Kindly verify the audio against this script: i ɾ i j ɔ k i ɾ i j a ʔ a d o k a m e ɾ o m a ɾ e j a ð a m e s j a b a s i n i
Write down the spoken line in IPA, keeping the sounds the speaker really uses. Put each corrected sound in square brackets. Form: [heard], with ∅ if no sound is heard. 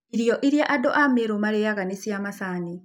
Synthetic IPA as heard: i ɾ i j ɔ [ʔ] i ɾ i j a ʔ a d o [ʔ] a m e ɾ o m a ɾ e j a [ɣ] a [n] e s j a [m] a s [a] n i